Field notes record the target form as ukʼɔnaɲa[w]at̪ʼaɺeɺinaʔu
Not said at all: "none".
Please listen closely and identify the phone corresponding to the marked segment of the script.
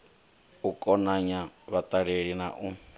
β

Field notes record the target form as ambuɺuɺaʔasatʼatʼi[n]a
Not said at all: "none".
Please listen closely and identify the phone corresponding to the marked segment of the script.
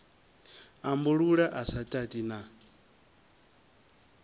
n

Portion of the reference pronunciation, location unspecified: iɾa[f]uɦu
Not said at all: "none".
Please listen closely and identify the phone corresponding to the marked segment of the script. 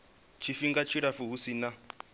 f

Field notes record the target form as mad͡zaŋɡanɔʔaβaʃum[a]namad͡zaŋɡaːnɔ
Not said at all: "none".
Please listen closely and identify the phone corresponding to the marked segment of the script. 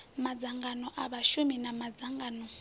i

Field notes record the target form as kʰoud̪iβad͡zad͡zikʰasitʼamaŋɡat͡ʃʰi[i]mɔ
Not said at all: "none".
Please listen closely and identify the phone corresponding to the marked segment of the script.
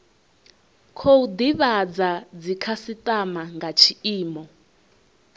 iː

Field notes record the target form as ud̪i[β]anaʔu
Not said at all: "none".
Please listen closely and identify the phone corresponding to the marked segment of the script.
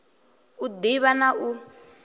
β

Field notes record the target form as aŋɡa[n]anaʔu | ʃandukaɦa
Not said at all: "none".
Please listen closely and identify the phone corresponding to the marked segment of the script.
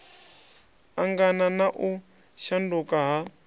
n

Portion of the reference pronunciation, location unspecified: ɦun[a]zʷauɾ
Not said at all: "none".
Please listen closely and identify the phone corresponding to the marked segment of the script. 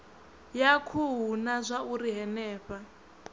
a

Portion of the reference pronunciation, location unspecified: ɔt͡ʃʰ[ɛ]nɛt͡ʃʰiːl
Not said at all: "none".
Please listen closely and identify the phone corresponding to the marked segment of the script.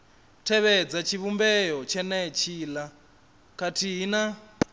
ɛ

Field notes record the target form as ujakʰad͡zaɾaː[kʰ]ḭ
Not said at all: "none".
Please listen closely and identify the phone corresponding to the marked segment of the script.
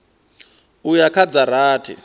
tʰ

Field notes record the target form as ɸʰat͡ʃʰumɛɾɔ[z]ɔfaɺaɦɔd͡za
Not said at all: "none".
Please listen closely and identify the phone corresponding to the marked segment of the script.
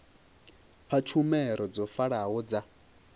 d͡z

